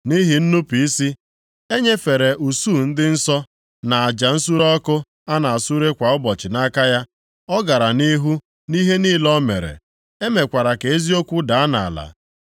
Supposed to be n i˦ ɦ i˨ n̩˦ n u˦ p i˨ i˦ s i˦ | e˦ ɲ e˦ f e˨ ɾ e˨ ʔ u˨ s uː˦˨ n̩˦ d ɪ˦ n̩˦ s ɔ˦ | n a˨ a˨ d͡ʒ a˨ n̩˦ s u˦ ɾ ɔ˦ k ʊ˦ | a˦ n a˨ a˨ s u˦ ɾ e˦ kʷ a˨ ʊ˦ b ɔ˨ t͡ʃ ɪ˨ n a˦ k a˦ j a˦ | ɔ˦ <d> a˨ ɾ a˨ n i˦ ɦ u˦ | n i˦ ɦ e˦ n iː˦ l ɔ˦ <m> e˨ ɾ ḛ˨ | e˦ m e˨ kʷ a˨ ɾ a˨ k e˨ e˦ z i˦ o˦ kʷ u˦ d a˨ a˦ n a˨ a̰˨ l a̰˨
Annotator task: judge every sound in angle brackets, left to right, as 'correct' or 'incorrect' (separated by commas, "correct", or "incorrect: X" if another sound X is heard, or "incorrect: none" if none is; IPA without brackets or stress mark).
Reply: incorrect: ɡ, correct